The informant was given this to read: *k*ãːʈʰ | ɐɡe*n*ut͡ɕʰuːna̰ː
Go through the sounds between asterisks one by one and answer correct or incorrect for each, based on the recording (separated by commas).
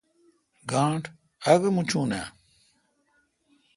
incorrect, incorrect